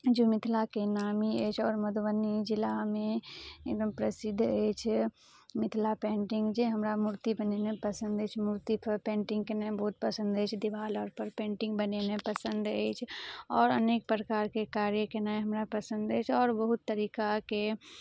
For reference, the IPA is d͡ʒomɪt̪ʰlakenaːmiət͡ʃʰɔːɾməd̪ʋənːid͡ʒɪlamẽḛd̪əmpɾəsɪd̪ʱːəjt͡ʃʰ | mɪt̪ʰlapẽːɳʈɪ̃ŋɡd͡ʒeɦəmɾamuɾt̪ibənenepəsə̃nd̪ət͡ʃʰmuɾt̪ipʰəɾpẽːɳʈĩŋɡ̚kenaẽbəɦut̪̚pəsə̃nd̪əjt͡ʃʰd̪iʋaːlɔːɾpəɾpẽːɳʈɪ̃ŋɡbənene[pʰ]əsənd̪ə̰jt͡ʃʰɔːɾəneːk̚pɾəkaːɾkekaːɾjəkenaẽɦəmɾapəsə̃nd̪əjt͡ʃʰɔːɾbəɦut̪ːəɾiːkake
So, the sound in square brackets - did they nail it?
no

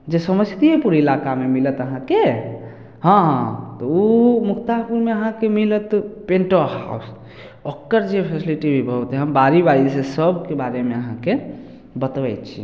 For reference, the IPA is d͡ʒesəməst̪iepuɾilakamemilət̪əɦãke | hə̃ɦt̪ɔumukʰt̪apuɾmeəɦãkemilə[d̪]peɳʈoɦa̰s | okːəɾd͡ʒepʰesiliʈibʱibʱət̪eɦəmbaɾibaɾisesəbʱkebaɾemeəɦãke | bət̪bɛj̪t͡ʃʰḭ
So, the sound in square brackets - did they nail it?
no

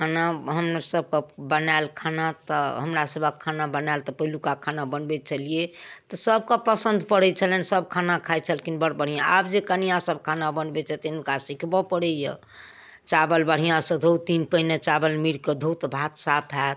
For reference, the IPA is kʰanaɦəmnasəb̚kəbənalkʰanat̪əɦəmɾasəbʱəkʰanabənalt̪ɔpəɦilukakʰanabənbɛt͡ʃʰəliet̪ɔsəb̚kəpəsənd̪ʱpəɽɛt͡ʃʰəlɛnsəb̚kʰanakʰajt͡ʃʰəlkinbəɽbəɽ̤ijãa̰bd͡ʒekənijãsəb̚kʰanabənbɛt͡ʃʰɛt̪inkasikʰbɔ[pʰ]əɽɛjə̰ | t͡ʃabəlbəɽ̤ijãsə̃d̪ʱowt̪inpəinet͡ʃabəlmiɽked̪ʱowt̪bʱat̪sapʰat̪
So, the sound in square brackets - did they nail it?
no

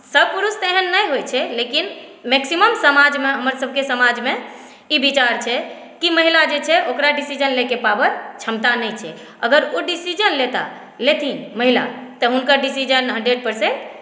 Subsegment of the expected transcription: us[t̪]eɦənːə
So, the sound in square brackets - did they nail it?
yes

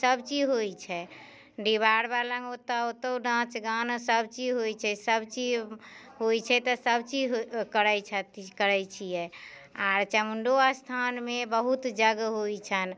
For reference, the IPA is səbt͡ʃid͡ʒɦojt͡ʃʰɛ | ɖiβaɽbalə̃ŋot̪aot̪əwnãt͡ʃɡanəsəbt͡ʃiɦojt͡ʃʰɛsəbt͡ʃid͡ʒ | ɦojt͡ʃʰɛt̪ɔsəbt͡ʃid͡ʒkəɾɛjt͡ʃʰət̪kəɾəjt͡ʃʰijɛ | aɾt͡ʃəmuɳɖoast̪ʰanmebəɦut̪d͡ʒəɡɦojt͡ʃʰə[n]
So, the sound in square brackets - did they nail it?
yes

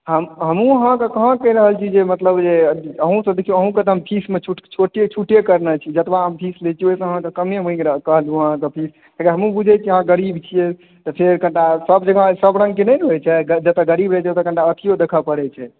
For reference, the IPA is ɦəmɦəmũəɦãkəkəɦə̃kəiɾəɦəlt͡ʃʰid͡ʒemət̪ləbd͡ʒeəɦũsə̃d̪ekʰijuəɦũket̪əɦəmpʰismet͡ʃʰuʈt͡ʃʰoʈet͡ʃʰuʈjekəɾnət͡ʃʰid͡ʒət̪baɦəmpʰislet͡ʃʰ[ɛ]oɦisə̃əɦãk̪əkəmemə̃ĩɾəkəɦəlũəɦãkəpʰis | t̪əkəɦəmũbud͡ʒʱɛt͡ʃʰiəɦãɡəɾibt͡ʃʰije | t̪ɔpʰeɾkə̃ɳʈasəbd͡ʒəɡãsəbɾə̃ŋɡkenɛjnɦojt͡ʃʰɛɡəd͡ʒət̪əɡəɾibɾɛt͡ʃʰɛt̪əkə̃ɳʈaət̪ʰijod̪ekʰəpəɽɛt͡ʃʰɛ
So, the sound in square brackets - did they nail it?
no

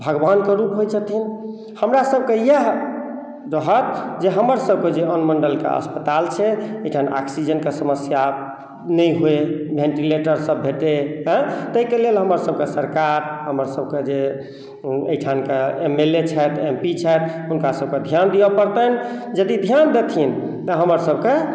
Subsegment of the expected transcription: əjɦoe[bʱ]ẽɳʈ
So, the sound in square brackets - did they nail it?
yes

